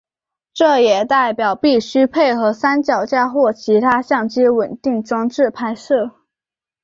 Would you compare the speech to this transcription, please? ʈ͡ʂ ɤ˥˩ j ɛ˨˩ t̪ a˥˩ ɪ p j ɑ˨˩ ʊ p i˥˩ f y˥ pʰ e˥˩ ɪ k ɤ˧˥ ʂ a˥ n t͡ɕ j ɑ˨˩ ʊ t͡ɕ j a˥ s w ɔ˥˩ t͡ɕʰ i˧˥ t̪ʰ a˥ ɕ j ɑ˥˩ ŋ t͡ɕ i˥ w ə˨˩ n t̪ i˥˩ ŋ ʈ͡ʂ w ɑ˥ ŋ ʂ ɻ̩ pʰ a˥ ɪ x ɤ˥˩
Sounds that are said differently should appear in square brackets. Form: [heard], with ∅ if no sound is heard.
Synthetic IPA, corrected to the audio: ʈ͡ʂ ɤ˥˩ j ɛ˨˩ t̪ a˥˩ ɪ p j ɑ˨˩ ʊ p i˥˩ [ɕ] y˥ pʰ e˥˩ ɪ [x] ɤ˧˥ [s] a˥ n t͡ɕ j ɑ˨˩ ʊ t͡ɕ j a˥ [x] w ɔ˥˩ t͡ɕʰ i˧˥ t̪ʰ a˥ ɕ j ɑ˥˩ ŋ t͡ɕ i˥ w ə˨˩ n t̪ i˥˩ ŋ ʈ͡ʂ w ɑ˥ ŋ [ʈ͡ʂ] ɻ̩ pʰ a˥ ɪ [ʂ] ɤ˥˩